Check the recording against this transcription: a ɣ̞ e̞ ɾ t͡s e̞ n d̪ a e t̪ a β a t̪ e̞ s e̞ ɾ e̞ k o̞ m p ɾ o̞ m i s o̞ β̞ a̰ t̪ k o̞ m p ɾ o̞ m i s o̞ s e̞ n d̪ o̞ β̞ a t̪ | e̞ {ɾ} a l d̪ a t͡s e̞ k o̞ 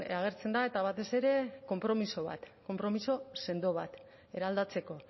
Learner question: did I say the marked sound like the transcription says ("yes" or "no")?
yes